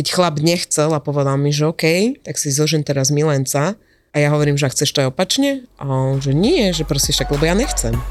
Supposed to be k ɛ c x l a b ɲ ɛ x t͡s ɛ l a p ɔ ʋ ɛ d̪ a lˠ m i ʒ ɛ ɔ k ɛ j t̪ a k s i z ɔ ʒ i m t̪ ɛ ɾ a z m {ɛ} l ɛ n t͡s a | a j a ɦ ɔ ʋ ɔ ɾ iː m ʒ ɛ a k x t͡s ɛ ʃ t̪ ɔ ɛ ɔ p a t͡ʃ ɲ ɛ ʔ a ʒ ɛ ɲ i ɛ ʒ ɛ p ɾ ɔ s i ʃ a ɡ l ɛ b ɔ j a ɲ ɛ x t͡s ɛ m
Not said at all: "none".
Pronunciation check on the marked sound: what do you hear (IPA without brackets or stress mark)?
i